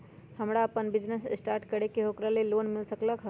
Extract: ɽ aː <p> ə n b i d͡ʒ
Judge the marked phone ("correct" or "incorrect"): correct